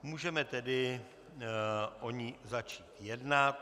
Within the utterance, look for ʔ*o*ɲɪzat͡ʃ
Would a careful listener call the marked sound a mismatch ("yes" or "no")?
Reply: no